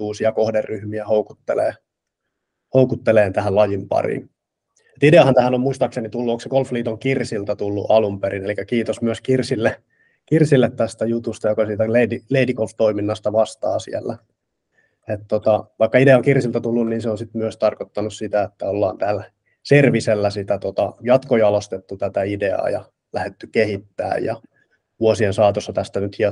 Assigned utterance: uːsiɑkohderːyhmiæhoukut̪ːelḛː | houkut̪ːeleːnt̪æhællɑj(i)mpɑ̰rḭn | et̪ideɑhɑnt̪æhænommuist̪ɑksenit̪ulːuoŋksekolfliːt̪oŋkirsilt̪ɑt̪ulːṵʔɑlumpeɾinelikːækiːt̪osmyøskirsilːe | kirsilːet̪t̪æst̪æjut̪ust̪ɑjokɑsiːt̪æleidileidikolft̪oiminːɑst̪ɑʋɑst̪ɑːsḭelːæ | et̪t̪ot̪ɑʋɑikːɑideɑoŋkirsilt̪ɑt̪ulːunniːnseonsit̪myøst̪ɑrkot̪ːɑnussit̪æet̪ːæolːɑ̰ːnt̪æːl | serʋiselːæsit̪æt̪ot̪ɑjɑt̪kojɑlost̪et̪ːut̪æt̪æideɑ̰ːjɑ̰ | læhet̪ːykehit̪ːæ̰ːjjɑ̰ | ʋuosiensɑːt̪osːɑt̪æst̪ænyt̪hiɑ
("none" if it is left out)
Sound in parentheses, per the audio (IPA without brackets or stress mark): i